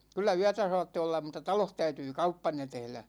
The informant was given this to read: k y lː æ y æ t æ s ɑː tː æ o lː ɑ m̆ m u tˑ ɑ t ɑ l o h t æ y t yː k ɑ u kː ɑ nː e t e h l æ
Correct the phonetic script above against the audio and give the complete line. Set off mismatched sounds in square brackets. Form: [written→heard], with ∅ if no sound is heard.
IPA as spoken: k y lː æ y æ t æ s ɑː tː [æ→e] o lː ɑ m̆ m u tˑ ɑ t ɑ l o h t æ y t yː k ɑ u [kː→pː] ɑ nː e t e h l æ